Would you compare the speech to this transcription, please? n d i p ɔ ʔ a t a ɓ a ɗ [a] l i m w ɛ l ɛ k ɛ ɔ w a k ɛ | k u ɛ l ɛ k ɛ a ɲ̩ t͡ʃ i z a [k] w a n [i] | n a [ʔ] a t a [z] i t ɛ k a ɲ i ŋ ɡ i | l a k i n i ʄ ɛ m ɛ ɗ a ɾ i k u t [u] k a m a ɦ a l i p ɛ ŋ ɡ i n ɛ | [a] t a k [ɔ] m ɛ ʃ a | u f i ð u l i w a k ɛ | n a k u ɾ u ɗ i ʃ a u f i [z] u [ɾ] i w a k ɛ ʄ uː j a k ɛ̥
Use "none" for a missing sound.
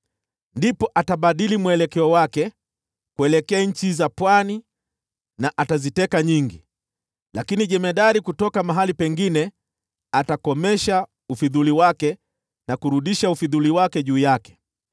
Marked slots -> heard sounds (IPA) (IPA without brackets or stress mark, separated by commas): i, p, i, ʔ, z, ɔ, a, ɔ, ð, l